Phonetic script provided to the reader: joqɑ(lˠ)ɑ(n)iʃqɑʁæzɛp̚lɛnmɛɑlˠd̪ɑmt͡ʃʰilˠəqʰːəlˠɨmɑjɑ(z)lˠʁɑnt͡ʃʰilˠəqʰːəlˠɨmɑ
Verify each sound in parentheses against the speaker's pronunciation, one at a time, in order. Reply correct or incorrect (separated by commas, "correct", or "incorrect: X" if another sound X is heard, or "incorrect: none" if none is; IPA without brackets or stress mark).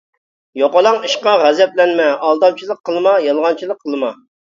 correct, incorrect: ŋ, incorrect: none